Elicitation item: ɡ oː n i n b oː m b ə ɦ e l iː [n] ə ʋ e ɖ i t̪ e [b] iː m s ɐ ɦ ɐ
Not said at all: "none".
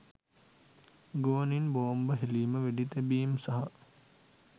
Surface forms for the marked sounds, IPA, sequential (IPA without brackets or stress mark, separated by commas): m, b